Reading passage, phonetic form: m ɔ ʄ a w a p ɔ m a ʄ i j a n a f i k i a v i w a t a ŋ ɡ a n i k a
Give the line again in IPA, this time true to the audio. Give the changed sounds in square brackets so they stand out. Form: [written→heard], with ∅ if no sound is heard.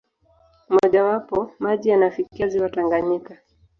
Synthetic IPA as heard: m ɔ ʄ a w a p ɔ m a ʄ i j a n a f i k i a [v→z] i w a t a ŋ ɡ a [n→ɲ] i k a

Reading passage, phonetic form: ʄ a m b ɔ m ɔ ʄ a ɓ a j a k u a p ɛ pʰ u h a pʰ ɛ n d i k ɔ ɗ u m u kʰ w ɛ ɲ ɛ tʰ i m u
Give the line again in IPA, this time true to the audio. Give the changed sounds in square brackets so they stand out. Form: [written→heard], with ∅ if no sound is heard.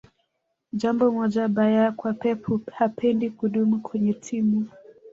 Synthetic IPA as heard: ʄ a m b ɔ m ɔ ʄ a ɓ a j a k [u→w] a p ɛ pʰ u h a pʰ ɛ n d i k [ɔ→u] ɗ u m u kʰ w ɛ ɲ ɛ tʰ i m u

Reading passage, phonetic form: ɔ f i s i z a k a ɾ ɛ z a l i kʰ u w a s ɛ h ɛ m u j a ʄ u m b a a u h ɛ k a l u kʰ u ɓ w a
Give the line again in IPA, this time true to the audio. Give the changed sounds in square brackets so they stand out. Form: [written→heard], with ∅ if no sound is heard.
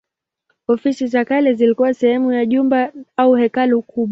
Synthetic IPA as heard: ɔ f i s i z a k a [ɾ→l] ɛ z [a→i] l i [kʰ→k] u w a s ɛ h ɛ m u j a ʄ u m b a a u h ɛ k a l u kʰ u ɓ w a

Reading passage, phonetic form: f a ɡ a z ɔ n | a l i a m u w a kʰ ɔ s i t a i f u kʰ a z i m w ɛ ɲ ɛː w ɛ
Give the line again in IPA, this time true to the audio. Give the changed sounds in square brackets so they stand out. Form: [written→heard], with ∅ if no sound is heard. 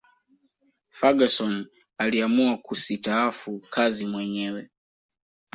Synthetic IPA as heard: f a ɡ a [z→s] ɔ n | a l i a m u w a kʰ [ɔ→u] s i t a [i→a] f u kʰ a z i m w ɛ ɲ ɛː w ɛ

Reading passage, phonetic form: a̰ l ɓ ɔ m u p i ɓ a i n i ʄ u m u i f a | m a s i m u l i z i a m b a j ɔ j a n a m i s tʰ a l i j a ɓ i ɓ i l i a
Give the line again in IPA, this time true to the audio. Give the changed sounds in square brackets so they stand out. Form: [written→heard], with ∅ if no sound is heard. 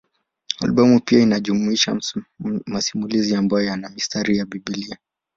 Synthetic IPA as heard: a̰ l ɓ ɔ m u p i [ɓ→∅] a i n [i→a] ʄ u m u i [f→ʃ] a | m a s i m u l i z i a m b a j ɔ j a n a m i s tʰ a [l→ɾ] i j a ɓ i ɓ i l i a

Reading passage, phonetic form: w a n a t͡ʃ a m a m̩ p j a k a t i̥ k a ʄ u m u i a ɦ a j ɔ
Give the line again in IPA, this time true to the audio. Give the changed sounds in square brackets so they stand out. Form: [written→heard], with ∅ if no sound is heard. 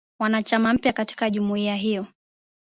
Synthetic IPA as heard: w a n a t͡ʃ a m a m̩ p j a k a t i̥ k a ʄ u m u i a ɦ [a→i] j ɔ

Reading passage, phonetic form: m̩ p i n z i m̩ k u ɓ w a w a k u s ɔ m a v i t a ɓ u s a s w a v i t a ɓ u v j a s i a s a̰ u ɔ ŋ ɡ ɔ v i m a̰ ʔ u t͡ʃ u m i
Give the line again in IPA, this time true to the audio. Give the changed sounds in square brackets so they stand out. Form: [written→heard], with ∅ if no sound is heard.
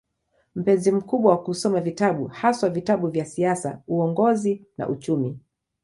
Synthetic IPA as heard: m̩ p [i→ɛ] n z i m̩ k u ɓ w a w a k u s ɔ m a v i t a ɓ u [s→h] a s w a v i t a ɓ u v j a s i a s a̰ u ɔ ŋ ɡ ɔ [v→z] i [m→n] a̰ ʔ u t͡ʃ u m i

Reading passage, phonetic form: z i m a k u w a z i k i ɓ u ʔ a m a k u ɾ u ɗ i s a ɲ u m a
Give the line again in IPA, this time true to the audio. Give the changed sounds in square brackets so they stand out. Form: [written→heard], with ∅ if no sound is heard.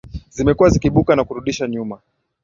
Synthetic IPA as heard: z i m [a→ɛ] k u w a z i k i ɓ u [ʔ→k] a [m→n] a k u ɾ u ɗ i [s→ʃ] a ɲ u m a

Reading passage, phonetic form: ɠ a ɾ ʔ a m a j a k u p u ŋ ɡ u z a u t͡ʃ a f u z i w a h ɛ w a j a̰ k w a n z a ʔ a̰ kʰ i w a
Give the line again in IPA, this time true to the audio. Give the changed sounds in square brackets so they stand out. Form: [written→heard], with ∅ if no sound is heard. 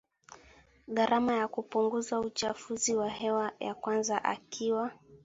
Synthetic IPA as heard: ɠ a ɾ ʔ a m a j a k u p u ŋ ɡ u z a u t͡ʃ a f u z i w a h ɛ w a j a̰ k w a n z a ʔ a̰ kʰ i w a

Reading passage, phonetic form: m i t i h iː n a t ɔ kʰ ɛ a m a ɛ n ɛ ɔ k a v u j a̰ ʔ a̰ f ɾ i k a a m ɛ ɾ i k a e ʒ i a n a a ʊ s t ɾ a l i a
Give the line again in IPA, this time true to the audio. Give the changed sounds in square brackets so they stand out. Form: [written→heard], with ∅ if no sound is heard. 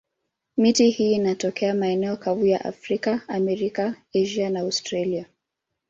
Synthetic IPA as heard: m i t i h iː n a t ɔ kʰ ɛ a m a ɛ n ɛ ɔ k a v u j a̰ ʔ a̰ f ɾ i k a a m ɛ ɾ i k a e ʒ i a n a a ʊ s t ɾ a l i a

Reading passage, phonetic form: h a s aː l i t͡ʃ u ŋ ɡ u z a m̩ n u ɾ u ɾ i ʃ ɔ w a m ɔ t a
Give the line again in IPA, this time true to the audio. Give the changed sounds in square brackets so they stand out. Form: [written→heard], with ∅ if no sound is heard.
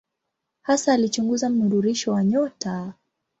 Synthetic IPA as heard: h a s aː l i t͡ʃ u ŋ ɡ u z a m̩ n u ɾ u ɾ i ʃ ɔ w a [m→ɲ] ɔ t a

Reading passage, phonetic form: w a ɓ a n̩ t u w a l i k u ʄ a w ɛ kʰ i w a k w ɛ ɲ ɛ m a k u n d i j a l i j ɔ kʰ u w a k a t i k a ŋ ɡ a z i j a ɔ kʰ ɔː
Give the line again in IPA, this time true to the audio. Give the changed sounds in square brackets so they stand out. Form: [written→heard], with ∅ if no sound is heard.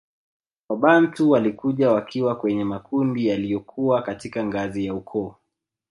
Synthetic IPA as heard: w a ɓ a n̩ t u w a l i k u ʄ a w [ɛ→a] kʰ i w a k w ɛ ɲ ɛ m a k u n d i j a l i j ɔ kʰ u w a k a t i k a ŋ ɡ a z i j a [ɔ→u] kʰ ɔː

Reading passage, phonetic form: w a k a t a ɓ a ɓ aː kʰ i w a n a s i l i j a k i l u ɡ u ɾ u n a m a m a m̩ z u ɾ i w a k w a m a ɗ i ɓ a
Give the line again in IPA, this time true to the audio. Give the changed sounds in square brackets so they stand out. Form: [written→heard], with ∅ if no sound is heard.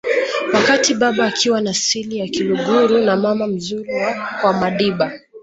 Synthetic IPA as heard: w a k a t [a→i] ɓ a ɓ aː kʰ i w a n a s i l i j a k i l u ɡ u ɾ u n a m a m a m̩ z u ɾ i w a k w a m a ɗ i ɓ a

